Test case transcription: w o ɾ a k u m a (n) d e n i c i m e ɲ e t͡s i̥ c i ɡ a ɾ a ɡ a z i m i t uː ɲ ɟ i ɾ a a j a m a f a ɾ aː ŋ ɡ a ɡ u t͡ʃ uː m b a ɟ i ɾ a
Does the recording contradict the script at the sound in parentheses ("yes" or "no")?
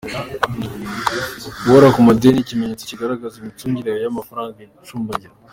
yes